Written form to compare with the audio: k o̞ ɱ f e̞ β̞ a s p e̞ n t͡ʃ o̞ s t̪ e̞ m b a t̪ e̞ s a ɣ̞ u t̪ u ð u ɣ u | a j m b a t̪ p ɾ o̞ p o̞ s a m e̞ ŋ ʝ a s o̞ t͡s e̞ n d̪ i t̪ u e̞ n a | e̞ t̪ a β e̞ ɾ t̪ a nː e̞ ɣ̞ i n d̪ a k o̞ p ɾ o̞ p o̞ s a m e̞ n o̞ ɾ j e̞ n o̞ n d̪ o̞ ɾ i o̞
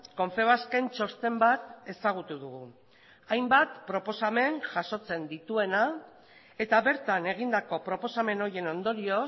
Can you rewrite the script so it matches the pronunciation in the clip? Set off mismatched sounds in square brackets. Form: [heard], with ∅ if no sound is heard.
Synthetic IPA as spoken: k o̞ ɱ f e̞ β̞ a s [k] e̞ n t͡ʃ o̞ s t̪ e̞ m b a t̪ e̞ s a ɣ̞ u t̪ u ð u ɣ u | a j m b a t̪ p ɾ o̞ p o̞ s a m e̞ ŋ ʝ a s o̞ t͡s e̞ n d̪ i t̪ u e̞ n a | e̞ t̪ a β e̞ ɾ t̪ a [n] e̞ ɣ̞ i n d̪ a k o̞ p ɾ o̞ p o̞ s a m e̞ n o̞ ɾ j e̞ n o̞ n d̪ o̞ ɾ i o̞